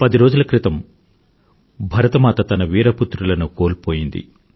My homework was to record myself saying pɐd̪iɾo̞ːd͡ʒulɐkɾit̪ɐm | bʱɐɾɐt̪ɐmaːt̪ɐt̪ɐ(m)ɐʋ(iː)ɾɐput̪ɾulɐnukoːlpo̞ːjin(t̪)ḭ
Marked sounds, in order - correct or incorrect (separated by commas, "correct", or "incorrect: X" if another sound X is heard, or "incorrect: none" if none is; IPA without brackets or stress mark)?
incorrect: n, correct, incorrect: d̪